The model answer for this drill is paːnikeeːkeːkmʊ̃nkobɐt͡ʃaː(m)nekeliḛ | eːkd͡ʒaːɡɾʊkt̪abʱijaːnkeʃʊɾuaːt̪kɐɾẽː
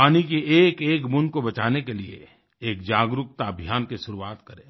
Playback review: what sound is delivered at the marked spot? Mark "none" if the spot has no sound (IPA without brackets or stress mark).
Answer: none